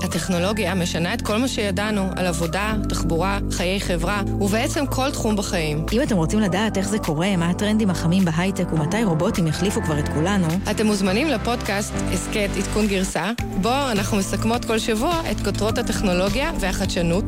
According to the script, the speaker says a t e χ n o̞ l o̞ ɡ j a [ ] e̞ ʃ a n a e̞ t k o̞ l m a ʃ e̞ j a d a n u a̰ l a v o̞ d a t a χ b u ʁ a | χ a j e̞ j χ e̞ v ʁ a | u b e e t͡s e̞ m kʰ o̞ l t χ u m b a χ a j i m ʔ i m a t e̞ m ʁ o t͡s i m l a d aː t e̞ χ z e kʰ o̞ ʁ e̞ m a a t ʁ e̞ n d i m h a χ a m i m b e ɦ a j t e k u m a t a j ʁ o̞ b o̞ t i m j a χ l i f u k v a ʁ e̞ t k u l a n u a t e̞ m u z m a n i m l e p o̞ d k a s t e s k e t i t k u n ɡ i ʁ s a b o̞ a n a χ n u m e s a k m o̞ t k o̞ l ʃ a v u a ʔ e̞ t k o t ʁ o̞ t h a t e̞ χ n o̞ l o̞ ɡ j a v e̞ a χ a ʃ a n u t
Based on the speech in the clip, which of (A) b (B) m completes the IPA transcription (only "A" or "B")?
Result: B